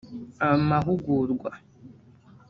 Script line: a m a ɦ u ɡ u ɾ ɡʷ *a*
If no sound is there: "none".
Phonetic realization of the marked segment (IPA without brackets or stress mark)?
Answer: a